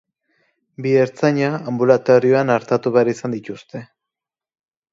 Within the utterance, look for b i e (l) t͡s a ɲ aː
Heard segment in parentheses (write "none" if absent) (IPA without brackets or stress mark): ɾ